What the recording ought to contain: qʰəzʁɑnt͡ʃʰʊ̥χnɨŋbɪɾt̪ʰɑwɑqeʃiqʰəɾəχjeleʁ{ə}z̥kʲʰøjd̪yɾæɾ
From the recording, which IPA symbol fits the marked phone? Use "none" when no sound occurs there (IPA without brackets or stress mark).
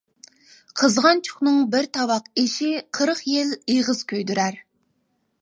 ə